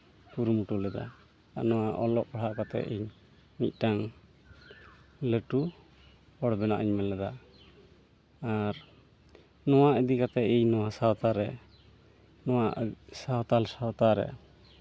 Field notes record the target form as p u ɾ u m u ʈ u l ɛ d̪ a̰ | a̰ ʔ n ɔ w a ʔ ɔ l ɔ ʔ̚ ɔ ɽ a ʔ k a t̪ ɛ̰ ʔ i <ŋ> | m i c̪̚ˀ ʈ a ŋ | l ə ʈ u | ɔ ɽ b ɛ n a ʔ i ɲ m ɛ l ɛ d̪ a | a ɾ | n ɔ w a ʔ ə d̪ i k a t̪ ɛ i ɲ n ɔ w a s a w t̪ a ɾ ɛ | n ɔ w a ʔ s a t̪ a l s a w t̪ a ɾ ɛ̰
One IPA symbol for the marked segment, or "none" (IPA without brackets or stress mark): ɲ